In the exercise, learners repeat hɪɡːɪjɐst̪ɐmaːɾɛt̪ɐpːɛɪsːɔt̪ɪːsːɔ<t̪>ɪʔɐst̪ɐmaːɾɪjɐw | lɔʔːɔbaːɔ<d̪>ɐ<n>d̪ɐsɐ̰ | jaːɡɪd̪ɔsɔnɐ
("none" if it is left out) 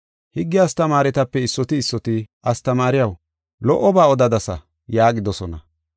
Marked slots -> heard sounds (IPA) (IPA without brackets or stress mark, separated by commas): t̪, d̪, none